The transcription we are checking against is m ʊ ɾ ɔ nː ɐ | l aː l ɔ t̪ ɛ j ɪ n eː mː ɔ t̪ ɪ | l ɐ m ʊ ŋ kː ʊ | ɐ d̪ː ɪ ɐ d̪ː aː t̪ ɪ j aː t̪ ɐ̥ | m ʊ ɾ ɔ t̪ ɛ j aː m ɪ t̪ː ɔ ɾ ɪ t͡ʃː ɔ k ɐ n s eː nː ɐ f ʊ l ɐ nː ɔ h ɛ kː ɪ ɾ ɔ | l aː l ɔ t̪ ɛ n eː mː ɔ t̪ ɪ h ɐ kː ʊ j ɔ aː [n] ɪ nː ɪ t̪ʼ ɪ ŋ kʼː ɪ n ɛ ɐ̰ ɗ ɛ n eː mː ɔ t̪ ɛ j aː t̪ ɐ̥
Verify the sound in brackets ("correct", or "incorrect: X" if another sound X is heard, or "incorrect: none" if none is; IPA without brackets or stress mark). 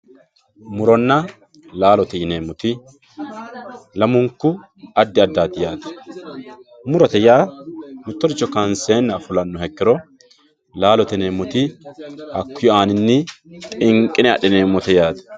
correct